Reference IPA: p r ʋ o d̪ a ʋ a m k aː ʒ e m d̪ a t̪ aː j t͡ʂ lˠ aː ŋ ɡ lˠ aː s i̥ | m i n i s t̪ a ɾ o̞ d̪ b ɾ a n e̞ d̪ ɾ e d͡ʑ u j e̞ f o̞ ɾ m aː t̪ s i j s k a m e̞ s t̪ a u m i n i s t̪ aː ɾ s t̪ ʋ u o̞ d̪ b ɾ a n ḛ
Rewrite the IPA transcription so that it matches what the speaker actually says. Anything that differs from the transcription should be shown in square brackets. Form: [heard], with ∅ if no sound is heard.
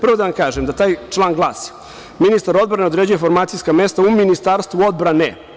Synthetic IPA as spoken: p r ʋ o d̪ a ʋ a m k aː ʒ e m d̪ a t̪ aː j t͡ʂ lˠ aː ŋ ɡ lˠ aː s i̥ | m i n i s t̪ a ɾ o̞ d̪ b ɾ a n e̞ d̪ ɾ e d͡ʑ u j e̞ f o̞ ɾ m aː t̪ s i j s k a m e̞ s t̪ a u m i n i s t̪ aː ɾ s t̪ ʋ u o̞ d̪ b ɾ a n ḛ